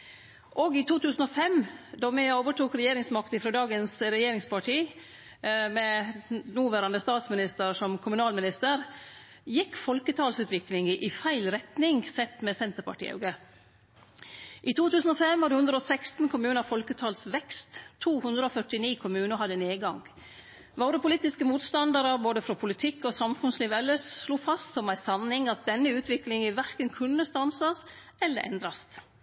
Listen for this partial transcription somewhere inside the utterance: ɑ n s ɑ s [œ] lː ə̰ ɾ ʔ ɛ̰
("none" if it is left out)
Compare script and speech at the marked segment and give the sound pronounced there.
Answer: ɛ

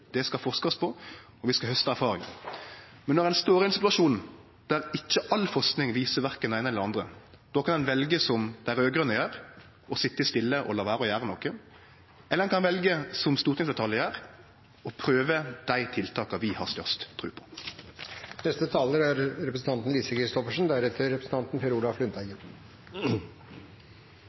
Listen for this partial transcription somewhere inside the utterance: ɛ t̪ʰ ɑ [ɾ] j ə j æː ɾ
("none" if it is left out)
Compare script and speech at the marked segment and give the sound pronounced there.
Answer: l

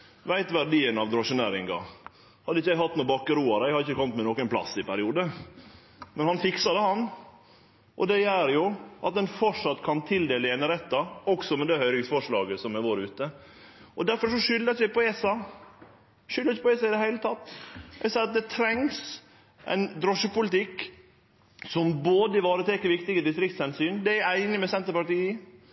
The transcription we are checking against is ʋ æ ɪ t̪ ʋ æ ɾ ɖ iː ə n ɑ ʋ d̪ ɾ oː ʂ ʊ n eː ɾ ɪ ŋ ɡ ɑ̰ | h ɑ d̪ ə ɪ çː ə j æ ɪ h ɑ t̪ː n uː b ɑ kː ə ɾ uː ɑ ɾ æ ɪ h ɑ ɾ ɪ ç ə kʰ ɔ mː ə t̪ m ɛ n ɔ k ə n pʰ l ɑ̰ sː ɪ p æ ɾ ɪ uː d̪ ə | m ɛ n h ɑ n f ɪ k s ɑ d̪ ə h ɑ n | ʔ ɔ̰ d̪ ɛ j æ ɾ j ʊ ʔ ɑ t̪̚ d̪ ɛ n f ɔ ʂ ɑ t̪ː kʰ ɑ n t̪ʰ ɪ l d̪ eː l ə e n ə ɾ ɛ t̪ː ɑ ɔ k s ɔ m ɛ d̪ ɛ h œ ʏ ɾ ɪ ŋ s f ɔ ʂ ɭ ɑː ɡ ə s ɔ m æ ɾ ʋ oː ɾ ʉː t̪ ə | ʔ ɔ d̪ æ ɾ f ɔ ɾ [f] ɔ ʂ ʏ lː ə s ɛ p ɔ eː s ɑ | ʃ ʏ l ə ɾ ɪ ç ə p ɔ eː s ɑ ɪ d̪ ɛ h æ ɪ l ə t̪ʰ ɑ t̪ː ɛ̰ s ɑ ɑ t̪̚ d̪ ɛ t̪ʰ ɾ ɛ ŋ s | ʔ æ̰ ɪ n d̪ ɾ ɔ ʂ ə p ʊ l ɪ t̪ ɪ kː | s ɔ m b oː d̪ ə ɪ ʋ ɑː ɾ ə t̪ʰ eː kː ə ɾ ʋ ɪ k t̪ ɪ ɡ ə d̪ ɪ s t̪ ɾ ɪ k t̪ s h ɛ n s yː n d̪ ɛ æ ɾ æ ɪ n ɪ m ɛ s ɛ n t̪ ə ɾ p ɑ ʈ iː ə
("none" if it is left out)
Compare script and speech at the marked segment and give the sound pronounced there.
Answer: ʂ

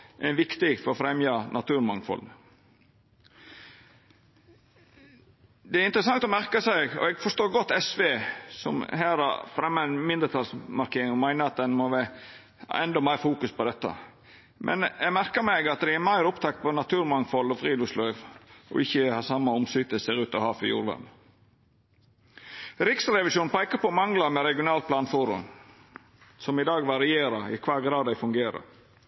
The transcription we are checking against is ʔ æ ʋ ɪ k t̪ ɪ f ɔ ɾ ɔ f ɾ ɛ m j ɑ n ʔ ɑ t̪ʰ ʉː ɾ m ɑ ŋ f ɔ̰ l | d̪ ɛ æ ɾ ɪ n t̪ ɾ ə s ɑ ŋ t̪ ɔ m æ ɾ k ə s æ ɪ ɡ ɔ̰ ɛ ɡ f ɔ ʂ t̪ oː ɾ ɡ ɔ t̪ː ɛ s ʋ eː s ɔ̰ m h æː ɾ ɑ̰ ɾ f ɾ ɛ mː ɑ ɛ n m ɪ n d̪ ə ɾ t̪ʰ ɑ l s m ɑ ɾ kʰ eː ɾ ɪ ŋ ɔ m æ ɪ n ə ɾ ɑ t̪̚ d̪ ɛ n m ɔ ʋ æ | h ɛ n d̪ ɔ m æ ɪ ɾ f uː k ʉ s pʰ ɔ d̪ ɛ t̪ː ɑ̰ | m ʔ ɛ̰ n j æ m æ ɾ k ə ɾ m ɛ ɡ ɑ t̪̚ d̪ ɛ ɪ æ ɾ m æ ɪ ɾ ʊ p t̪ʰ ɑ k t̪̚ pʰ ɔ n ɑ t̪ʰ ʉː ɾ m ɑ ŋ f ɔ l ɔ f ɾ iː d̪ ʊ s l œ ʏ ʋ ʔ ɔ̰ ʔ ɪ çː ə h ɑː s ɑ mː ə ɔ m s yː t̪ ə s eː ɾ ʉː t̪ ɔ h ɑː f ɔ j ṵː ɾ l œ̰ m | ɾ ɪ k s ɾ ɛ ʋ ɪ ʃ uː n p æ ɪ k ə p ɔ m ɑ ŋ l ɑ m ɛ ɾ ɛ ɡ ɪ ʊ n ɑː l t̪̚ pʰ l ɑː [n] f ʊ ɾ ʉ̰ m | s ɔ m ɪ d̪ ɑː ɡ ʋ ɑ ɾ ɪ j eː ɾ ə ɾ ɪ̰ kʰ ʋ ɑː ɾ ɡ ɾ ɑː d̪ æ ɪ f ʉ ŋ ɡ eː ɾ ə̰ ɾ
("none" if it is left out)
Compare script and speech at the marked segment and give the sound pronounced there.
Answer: n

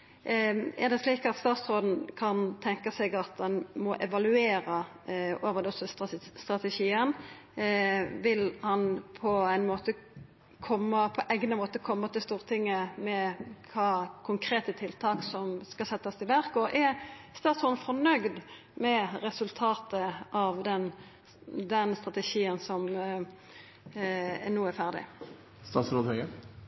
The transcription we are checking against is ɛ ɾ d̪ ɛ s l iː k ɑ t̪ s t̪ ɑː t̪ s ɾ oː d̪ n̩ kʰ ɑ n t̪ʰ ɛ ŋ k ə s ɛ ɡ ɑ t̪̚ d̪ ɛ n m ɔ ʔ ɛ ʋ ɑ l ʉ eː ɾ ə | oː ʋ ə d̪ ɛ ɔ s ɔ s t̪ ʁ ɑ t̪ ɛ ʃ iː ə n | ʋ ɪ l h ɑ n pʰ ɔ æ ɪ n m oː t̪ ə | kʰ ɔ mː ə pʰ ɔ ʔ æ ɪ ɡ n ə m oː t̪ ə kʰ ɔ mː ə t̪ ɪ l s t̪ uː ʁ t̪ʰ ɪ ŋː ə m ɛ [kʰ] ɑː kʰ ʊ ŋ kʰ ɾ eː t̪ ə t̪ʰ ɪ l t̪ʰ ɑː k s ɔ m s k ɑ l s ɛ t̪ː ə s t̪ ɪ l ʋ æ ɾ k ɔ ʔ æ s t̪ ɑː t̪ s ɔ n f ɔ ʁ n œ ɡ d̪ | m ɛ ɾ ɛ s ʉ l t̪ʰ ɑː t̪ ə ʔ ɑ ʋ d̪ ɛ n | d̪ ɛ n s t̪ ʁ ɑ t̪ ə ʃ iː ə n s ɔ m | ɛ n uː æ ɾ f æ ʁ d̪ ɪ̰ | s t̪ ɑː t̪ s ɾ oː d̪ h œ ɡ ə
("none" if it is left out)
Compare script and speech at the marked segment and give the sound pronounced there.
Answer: kʰ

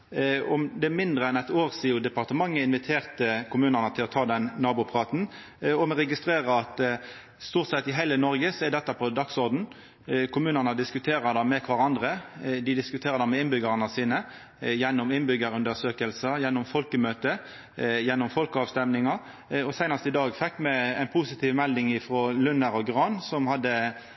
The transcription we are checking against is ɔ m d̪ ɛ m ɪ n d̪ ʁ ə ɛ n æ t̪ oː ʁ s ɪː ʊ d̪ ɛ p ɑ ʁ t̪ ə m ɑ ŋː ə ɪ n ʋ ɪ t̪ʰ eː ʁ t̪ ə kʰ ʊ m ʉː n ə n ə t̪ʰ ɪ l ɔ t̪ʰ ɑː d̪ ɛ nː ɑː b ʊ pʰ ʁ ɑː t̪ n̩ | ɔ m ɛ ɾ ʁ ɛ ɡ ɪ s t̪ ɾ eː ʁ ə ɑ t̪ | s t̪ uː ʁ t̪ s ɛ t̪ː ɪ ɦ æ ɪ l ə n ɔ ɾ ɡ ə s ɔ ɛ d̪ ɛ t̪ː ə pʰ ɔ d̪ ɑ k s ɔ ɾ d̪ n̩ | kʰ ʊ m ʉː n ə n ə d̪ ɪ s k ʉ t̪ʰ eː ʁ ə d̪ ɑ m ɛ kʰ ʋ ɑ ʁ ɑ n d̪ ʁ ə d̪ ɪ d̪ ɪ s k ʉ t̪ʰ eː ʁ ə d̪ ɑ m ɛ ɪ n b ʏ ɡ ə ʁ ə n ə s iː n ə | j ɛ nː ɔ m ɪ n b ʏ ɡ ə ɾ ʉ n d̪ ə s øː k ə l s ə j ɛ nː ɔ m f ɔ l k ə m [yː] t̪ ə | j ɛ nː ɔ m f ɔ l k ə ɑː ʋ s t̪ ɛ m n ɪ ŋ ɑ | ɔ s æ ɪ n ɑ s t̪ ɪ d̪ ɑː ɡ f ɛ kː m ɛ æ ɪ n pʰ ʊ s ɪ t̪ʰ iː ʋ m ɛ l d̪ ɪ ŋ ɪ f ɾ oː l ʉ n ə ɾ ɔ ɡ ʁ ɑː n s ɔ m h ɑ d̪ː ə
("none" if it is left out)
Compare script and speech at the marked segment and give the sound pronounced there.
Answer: øː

